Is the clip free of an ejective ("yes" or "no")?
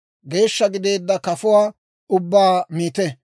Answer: yes